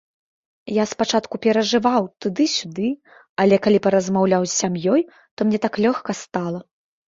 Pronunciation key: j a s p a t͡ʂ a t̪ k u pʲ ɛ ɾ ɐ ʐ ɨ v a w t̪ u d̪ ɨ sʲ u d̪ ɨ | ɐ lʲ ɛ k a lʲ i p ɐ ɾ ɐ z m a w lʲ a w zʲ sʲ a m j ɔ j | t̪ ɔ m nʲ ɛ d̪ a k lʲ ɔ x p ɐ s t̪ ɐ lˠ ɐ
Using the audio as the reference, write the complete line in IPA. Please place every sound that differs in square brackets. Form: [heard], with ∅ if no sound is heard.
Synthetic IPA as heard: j a s p a t͡ʂ a t̪ k u pʲ ɛ ɾ ɐ ʐ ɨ v a w t̪ u d̪ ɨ sʲ u d̪ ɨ | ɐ lʲ ɛ k a lʲ i p ɐ ɾ ɐ z m a w lʲ a w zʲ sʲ a m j ɔ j | t̪ ɔ m nʲ ɛ [t̪] a k lʲ ɔ x [k] ɐ s t̪ [a] lˠ ɐ